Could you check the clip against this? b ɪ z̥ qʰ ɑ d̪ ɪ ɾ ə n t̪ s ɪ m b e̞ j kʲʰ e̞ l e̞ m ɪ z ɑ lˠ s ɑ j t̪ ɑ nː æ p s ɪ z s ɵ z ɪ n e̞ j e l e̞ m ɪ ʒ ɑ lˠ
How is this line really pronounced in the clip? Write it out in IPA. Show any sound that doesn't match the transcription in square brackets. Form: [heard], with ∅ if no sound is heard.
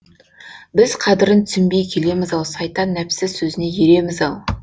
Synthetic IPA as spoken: b ɪ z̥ qʰ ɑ d̪ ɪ ɾ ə n t̪ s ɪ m b e̞ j kʲʰ e̞ l e̞ m ɪ z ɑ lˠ s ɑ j t̪ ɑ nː æ p s ɪ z s ɵ z ɪ n e̞ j e [ɾ] e̞ m ɪ [z] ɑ lˠ